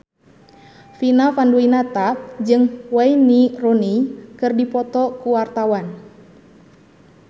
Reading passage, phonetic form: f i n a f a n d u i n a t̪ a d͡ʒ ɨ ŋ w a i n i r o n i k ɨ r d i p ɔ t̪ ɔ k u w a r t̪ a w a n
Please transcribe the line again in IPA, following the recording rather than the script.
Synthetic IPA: f i n a f a n d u i n a t̪ a d͡ʒ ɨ ŋ w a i n i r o n i k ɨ r d i p ɔ t̪ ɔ k u w a r t̪ a w a n